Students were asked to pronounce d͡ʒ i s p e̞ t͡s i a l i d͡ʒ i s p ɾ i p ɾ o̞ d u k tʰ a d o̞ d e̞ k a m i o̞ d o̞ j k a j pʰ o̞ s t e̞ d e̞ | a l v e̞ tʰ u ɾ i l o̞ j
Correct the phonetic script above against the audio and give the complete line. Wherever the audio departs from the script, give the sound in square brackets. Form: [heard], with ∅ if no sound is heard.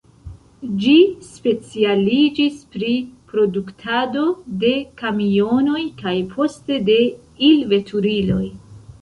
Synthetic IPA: d͡ʒ i s p e̞ t͡s i a l i d͡ʒ i s p ɾ i p ɾ o̞ d u k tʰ a d o̞ d e̞ k a m i o̞ [n] o̞ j k a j pʰ o̞ s t e̞ d e̞ | [i] l v e̞ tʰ u ɾ i l o̞ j